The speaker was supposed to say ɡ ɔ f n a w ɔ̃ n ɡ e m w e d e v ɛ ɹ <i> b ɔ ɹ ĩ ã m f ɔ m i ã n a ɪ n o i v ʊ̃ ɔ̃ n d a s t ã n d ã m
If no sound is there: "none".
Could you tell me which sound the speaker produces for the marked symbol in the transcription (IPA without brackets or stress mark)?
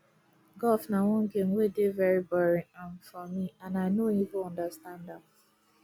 i